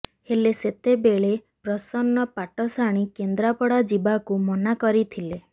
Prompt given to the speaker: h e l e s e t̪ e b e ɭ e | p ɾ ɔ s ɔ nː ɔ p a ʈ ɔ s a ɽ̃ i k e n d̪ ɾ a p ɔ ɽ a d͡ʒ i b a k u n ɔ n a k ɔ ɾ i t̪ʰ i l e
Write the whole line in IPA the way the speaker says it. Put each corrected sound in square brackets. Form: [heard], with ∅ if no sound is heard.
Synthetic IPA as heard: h e l e s e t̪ e b e ɭ e | p ɾ ɔ s ɔ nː ɔ p a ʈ ɔ s a ɽ̃ i k e n d̪ ɾ a p ɔ ɽ a d͡ʒ i b a k u [m] ɔ n a k ɔ ɾ i t̪ʰ i l e

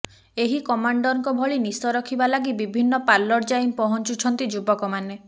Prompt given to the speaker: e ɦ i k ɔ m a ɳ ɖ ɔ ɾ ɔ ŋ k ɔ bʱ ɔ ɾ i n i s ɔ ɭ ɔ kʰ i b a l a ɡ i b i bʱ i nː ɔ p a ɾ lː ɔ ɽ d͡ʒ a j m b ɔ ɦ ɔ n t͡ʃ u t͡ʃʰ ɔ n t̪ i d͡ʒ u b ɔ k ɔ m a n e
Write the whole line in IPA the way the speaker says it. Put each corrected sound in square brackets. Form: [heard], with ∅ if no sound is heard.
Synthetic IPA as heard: e ɦ i k ɔ m a ɳ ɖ ɔ ɾ ɔ ŋ k ɔ bʱ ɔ [ɭ] i n i s ɔ [ɾ] ɔ kʰ i b a l a ɡ i b i bʱ i nː ɔ p a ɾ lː ɔ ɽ d͡ʒ a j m [p] ɔ ɦ ɔ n t͡ʃ u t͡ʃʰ ɔ n t̪ i d͡ʒ u b ɔ k ɔ m a n e

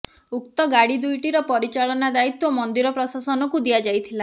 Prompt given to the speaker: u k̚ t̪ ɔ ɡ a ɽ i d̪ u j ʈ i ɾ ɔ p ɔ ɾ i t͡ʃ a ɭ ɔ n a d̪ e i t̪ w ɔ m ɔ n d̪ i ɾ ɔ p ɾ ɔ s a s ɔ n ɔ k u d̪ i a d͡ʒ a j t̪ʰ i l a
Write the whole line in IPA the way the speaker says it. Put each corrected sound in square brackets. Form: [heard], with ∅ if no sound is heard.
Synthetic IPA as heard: u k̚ t̪ ɔ ɡ a ɽ i d̪ u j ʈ i ɾ ɔ p ɔ ɾ i t͡ʃ a ɭ ɔ n a d̪ [a] i t̪ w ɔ m ɔ n d̪ i ɾ ɔ p ɾ ɔ s a s ɔ n ɔ k u d̪ i a d͡ʒ a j t̪ʰ i l a

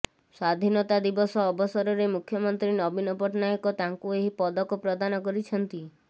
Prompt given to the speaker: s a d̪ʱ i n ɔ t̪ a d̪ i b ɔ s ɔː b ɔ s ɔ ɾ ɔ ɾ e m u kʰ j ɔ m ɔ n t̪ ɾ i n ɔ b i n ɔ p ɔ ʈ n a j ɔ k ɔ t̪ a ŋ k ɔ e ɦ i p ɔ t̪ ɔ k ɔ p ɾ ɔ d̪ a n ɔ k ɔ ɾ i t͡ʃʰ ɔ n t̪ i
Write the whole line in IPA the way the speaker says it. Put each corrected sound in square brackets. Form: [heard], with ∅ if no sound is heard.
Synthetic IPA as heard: s a d̪ʱ i n ɔ t̪ a d̪ i b ɔ s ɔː b ɔ s ɔ ɾ ɔ ɾ e m u kʰ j ɔ m ɔ n t̪ ɾ i n ɔ b i n ɔ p ɔ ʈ n a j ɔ k ɔ t̪ a ŋ k [u] e ɦ i p ɔ [d̪] ɔ k ɔ p ɾ ɔ d̪ a n ɔ k ɔ ɾ i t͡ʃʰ ɔ n t̪ i

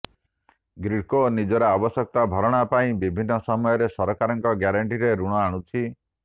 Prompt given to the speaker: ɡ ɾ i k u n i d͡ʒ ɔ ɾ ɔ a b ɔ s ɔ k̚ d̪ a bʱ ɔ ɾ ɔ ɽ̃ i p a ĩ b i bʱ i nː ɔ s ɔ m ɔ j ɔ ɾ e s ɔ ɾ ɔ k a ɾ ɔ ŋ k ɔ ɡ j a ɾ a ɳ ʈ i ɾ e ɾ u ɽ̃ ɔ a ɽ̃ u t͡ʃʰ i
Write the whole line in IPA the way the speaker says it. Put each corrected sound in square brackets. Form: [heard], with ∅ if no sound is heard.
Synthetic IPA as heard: ɡ ɾ i k [o] n i d͡ʒ ɔ ɾ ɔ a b ɔ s ɔ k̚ [t̪] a bʱ ɔ ɾ ɔ ɽ̃ [a] p a ĩ b i bʱ i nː ɔ s ɔ m ɔ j ɔ ɾ e s ɔ ɾ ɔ k a ɾ ɔ ŋ k ɔ ɡ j a ɾ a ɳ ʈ i ɾ e ɾ u ɽ̃ ɔ a ɽ̃ u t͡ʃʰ i

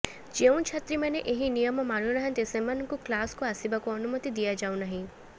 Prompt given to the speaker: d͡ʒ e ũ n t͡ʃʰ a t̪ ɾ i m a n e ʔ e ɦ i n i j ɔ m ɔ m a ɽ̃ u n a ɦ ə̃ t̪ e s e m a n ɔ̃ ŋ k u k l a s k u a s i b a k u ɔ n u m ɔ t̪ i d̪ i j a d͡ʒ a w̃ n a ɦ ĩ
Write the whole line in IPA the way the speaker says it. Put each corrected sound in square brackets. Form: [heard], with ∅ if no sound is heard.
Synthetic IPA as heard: d͡ʒ e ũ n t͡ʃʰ a t̪ ɾ i m a n e ʔ e ɦ i n i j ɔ m ɔ m a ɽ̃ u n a ɦ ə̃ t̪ e s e m a n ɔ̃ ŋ k u k l a s k u a s i b a k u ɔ n u m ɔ t̪ i d̪ i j a d͡ʒ a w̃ n a ɦ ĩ

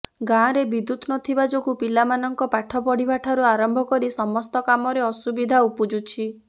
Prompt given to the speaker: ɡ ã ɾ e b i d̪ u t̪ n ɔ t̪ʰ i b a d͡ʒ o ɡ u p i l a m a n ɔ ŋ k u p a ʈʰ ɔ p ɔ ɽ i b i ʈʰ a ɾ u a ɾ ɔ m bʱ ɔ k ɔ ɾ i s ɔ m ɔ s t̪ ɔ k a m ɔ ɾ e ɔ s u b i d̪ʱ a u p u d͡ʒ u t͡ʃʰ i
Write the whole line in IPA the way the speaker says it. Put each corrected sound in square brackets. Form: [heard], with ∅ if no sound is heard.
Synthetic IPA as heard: ɡ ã ɾ e b i d̪ u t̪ n ɔ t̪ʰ i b a d͡ʒ o ɡ u p i l a m a n ɔ ŋ k [ɔ] p a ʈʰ ɔ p ɔ ɽ i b [a] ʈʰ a ɾ u a ɾ ɔ m bʱ ɔ k ɔ ɾ i s ɔ m ɔ s t̪ ɔ k a m ɔ ɾ e ɔ s u b i d̪ʱ a u p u d͡ʒ u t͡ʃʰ i

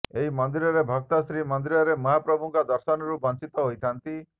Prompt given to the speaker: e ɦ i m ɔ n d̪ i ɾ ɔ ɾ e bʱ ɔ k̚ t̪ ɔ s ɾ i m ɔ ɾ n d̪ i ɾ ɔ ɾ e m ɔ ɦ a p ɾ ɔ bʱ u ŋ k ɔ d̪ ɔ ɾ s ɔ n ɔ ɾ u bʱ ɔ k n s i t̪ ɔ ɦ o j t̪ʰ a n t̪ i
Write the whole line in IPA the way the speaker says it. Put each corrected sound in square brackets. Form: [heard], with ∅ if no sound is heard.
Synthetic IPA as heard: e ɦ i m ɔ n d̪ i ɾ ɔ ɾ e bʱ ɔ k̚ t̪ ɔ s ɾ i m ɔ [∅] n d̪ i ɾ ɔ ɾ e m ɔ ɦ a p ɾ ɔ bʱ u ŋ k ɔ d̪ ɔ ɾ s ɔ n ɔ ɾ u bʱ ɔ [∅] n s i t̪ ɔ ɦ o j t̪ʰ a n t̪ i

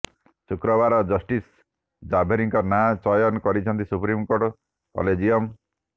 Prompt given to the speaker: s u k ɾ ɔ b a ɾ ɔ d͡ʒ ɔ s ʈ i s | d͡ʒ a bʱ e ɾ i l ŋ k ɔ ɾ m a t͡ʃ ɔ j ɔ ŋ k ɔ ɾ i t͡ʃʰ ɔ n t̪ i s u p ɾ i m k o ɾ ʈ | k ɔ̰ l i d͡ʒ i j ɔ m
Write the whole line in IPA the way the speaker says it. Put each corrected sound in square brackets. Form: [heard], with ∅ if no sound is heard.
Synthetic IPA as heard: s u k ɾ ɔ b a ɾ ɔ d͡ʒ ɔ s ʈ i s | d͡ʒ a bʱ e ɾ i [∅] ŋ k ɔ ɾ [n] a t͡ʃ ɔ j ɔ [n] k ɔ ɾ i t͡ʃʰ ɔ n t̪ i s u p ɾ i m k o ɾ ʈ | k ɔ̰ l [e] d͡ʒ i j ɔ m

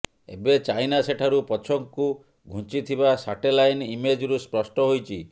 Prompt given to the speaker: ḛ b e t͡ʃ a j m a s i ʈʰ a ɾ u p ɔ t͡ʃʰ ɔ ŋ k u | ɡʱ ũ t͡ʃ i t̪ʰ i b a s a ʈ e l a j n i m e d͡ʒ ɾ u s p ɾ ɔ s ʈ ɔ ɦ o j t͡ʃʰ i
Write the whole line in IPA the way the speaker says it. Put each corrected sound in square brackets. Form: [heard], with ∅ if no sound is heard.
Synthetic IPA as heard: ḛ b e t͡ʃ a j [n] a s [e] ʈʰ a ɾ u p ɔ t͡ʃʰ ɔ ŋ k u | ɡʱ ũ t͡ʃ i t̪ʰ i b a s a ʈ e l a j n i m e d͡ʒ ɾ u s p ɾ ɔ s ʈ ɔ ɦ o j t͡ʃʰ i

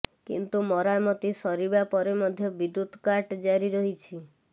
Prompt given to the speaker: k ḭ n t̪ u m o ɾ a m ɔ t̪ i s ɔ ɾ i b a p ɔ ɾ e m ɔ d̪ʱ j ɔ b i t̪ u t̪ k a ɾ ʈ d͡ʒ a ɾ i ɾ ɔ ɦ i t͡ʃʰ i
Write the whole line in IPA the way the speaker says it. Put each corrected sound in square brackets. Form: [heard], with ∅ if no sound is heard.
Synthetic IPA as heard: k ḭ n t̪ u m [ɔ] ɾ a m ɔ t̪ i s ɔ ɾ i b a p ɔ ɾ e m ɔ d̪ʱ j ɔ b i [d̪] u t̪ k a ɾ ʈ d͡ʒ a ɾ i ɾ ɔ ɦ i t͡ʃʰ i

